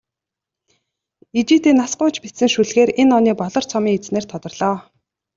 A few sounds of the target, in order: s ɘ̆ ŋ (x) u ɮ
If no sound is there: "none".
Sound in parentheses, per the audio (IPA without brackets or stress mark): ʃ